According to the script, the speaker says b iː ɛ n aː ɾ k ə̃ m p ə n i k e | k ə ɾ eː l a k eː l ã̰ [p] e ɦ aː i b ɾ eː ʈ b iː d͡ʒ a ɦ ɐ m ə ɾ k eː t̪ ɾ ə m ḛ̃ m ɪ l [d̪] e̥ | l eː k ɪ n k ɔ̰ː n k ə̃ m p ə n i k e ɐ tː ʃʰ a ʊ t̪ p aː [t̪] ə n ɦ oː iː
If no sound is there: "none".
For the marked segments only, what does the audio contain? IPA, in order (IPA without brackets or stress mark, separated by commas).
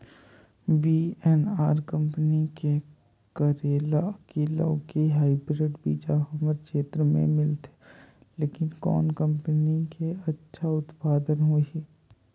k, t̪, d̪